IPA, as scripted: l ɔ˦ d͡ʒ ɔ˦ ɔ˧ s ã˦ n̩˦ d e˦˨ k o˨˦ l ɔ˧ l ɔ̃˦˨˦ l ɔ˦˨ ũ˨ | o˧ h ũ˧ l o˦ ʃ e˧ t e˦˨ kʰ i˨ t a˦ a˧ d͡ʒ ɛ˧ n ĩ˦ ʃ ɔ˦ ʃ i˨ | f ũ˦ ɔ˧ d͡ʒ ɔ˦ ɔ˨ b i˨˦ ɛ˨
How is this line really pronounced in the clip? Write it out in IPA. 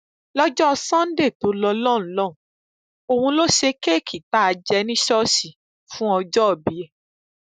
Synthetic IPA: l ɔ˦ d͡ʒ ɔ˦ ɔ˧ s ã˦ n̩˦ d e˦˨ t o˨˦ l ɔ˧ l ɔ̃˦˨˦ l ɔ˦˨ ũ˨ | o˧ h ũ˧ l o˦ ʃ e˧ k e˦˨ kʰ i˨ t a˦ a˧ d͡ʒ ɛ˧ n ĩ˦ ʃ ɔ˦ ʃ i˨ | f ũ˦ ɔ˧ d͡ʒ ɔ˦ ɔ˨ b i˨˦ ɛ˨